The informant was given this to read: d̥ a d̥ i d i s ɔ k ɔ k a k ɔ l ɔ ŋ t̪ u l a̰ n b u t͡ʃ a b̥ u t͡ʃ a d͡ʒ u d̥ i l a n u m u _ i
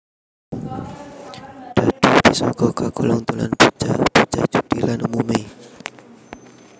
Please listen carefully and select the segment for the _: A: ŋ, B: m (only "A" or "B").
B